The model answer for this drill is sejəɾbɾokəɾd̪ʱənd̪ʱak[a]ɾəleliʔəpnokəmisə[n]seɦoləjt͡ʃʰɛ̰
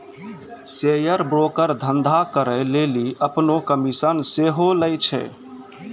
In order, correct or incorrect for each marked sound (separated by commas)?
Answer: incorrect, correct